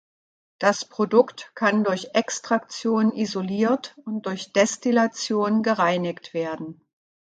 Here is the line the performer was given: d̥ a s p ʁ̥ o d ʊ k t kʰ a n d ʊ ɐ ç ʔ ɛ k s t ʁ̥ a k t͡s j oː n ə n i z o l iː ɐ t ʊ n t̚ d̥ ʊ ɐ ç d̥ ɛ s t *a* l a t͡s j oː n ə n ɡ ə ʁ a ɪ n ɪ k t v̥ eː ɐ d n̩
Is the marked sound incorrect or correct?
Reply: incorrect